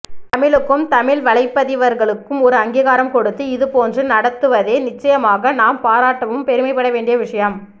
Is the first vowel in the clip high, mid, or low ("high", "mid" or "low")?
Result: low